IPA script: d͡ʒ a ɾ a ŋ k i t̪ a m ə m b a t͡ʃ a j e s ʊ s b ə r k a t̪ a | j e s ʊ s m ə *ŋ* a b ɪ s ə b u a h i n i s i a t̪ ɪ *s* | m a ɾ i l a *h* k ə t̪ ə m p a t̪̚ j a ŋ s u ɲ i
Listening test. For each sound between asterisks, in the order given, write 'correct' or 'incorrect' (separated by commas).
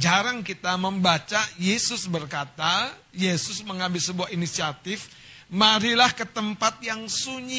correct, incorrect, correct